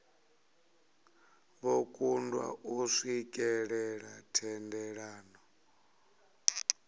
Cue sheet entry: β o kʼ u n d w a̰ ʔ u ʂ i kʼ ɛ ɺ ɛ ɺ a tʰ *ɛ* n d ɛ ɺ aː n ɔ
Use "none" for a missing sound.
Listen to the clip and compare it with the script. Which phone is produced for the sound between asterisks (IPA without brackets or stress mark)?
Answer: ɛ